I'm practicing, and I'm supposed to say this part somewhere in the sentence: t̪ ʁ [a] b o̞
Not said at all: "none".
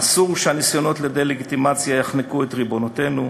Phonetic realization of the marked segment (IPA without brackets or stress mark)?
i